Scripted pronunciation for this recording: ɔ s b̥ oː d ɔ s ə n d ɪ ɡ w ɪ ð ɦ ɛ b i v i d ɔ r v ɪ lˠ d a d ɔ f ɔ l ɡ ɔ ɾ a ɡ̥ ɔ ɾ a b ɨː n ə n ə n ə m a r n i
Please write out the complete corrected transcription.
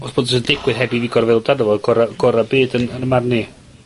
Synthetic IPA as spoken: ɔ s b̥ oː d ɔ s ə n d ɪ ɡ w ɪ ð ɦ ɛ b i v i ɡ ɔ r v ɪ lˠ d a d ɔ v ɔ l ɡ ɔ ɾ a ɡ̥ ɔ ɾ a b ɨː d ə n ə n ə m a r n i